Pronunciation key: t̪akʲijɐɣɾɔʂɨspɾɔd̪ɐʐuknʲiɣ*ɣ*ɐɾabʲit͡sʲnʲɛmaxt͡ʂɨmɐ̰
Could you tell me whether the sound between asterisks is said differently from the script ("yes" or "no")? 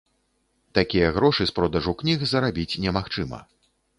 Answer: yes